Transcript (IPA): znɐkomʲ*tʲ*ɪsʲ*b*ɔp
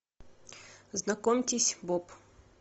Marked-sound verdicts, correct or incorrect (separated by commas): correct, correct